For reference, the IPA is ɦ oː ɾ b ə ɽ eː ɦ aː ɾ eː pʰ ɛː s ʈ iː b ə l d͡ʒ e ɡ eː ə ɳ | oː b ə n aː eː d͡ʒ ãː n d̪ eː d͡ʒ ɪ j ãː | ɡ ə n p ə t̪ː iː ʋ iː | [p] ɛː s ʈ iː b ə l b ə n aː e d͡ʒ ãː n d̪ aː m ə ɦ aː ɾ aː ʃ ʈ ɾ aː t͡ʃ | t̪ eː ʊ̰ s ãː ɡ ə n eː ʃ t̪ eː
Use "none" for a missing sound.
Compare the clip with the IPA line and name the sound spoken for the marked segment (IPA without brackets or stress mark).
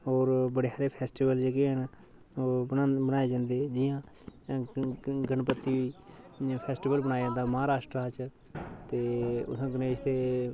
pʰ